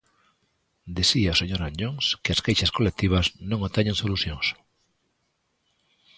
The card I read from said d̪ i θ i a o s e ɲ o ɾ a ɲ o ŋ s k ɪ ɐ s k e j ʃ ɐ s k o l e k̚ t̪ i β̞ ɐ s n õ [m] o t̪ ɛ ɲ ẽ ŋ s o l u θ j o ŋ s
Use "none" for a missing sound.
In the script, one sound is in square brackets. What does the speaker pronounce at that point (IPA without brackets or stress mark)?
ŋ